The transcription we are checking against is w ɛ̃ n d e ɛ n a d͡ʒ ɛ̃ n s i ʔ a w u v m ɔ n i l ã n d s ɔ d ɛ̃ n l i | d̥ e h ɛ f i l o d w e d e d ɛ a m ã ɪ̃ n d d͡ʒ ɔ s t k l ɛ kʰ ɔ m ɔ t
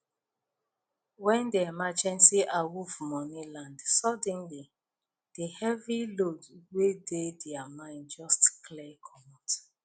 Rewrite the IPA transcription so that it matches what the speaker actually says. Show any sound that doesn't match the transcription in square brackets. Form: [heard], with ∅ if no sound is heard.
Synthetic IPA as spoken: w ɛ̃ n d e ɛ [m] a d͡ʒ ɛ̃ n s i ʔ a w u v m ɔ n i l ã n d s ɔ d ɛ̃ n l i | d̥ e h ɛ [v] i l o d w e d e d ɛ a m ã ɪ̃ n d d͡ʒ ɔ s t k l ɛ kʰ ɔ m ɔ t